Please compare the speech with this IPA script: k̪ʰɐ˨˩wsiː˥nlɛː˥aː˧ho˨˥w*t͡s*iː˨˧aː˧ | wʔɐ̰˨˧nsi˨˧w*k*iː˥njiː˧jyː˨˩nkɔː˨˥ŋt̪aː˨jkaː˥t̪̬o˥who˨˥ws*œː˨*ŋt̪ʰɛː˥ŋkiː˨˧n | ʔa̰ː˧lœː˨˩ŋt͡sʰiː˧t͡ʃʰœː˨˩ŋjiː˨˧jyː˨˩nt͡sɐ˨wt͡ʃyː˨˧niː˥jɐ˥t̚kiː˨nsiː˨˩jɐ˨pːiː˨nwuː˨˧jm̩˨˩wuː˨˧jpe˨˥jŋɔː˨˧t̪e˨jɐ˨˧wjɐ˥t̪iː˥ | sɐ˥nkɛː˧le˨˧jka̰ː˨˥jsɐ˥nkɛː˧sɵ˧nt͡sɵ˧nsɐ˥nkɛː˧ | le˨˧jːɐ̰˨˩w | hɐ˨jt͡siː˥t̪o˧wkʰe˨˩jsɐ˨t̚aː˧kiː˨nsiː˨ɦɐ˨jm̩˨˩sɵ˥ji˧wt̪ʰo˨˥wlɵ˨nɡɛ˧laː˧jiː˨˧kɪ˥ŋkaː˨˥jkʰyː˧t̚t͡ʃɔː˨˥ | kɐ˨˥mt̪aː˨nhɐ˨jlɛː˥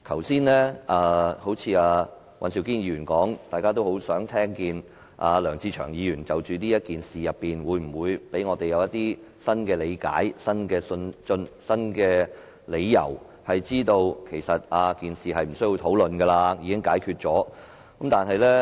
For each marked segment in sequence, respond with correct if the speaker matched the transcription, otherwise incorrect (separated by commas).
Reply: incorrect, correct, incorrect